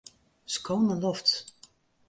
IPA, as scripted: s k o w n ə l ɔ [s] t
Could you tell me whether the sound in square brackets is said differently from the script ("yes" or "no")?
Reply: yes